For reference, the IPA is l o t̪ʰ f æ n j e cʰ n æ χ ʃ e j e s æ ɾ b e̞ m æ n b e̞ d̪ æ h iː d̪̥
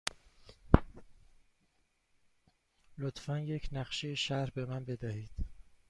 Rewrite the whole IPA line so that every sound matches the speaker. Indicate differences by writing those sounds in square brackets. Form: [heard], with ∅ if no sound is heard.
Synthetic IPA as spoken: l o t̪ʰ f æ n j e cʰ n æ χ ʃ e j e [ʃ] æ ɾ b e̞ m æ n b e̞ d̪ æ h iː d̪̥